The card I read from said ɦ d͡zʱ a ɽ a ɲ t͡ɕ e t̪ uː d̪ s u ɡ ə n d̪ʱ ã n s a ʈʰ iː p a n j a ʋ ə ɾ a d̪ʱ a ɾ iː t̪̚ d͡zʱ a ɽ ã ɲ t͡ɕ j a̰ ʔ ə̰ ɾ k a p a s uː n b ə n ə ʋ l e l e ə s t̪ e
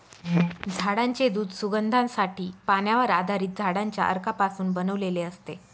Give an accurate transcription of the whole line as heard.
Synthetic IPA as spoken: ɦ d͡zʱ a ɽ a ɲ t͡ɕ e d̪ uː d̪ s u ɡ ə n d̪ʱ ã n s a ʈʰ iː p a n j a ʋ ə ɾ a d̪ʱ a ɾ iː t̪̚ d͡zʱ a ɽ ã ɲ t͡ɕ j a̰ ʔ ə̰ ɾ k a p a s uː n b ə n ə ʋ l e l e ə s t̪ e